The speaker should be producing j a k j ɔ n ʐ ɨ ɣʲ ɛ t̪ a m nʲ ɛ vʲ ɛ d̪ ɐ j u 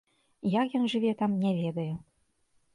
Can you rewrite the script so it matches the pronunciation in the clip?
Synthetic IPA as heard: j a k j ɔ n ʐ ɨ vʲ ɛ t̪ a m nʲ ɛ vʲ ɛ d̪ ɐ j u